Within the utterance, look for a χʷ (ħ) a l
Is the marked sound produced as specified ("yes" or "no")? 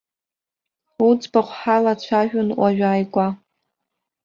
yes